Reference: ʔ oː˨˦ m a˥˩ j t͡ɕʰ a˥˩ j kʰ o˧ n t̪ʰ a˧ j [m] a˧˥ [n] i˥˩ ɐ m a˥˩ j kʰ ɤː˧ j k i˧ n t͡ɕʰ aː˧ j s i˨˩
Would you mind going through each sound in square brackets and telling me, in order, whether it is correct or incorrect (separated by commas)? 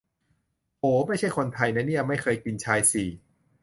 incorrect, correct